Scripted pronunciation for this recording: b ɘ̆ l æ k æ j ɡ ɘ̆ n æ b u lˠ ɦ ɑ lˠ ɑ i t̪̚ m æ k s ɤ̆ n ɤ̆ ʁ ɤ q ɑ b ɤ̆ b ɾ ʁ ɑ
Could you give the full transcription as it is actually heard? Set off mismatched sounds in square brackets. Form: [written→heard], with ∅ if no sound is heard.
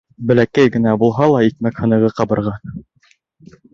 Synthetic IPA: b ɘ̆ l æ k æ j ɡ ɘ̆ n æ b u lˠ ɦ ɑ lˠ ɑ i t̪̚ m æ k [s→h] ɤ̆ n ɤ̆ ʁ ɤ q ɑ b ɤ̆ [b→∅] ɾ ʁ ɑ